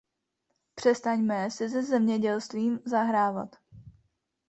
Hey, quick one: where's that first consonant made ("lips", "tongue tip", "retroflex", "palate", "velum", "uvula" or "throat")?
lips